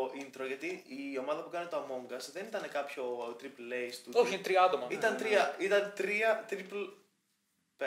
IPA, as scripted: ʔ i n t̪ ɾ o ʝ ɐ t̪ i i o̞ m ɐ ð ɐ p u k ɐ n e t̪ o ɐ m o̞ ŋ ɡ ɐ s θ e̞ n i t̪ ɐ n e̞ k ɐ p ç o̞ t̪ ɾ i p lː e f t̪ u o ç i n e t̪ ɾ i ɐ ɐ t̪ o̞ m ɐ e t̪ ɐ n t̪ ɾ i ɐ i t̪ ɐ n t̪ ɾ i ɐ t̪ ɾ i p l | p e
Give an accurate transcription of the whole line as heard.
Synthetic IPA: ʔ i n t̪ ɾ o ʝ ɐ t̪ i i o̞ m ɐ ð ɐ p u k ɐ n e t̪ o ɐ m o̞ ŋ ɡ ɐ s ð e̞ n i t̪ ɐ n e̞ k ɐ p ç o̞ t̪ ɾ i p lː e s t̪ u o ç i n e t̪ ɾ i ɐ ɐ t̪ o̞ m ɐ i t̪ ɐ n t̪ ɾ i ɐ i t̪ ɐ n t̪ ɾ i ɐ t̪ ɾ i p l | p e